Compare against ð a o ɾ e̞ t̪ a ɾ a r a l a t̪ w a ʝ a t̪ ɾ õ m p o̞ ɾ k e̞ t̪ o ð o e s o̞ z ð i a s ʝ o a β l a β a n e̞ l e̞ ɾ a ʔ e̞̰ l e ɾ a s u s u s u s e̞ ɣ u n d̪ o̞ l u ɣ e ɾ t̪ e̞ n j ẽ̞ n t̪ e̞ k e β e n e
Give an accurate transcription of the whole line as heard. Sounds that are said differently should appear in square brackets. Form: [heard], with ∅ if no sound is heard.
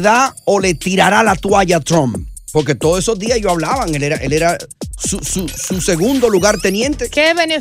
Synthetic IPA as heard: ð a o [l] e̞ t̪ [i] ɾ a [ɾ] a l a t̪ w a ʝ a t̪ ɾ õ m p o̞ ɾ k e̞ t̪ o ð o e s o̞ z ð i a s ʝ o a β l a β a [ŋ] e̞ l e̞ ɾ a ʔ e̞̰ l e ɾ a s u s u s u s e̞ ɣ u n d̪ o̞ l u ɣ [a] ɾ t̪ e̞ n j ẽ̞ n t̪ e̞ k e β e n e